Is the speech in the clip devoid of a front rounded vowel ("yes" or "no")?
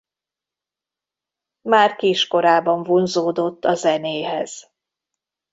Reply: yes